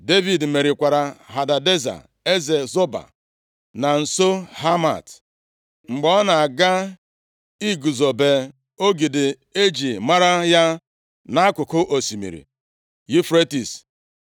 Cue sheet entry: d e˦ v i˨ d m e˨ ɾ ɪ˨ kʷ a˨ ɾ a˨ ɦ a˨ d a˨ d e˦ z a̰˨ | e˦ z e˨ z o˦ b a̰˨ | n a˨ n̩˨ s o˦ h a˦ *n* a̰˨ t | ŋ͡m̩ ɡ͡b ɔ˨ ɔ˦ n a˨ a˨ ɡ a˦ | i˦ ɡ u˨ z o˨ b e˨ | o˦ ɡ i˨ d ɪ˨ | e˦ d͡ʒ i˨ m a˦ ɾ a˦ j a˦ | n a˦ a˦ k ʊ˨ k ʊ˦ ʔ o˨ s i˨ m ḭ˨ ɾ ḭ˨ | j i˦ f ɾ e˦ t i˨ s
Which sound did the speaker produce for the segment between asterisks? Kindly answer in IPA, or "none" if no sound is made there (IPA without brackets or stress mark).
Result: m